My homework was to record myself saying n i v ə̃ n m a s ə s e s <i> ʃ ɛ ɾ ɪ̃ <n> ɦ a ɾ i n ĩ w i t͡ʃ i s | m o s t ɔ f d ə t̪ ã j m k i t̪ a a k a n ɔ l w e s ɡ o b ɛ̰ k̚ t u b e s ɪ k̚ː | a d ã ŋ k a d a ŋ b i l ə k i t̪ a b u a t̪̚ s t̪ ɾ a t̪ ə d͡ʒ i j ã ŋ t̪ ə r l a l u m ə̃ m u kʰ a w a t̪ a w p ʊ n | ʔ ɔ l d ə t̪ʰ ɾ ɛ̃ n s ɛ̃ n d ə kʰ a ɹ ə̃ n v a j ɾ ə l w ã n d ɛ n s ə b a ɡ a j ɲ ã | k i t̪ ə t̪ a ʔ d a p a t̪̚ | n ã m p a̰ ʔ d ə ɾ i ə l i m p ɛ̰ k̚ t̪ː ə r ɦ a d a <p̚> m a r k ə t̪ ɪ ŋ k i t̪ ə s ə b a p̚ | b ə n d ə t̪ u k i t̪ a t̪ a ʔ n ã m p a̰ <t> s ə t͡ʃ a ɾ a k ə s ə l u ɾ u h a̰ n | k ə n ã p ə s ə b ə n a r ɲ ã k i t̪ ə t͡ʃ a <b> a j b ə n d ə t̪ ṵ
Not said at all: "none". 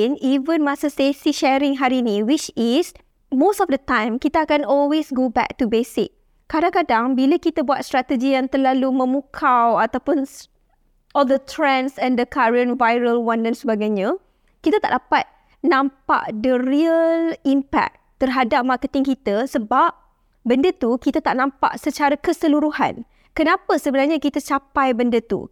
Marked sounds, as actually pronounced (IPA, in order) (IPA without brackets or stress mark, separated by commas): i, ŋ, p̚, ʔ, p